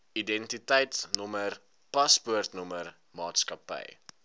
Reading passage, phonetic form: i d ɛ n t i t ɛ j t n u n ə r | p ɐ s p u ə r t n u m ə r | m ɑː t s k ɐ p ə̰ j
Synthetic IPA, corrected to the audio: i d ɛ n t i t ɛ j t n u m ə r | p ɐ s p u ə r t n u m ə r | m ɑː t s k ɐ p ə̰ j